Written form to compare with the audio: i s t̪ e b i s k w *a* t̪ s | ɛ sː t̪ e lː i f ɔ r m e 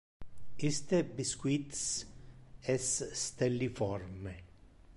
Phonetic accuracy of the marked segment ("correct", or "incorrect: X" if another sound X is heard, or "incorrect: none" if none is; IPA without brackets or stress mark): incorrect: i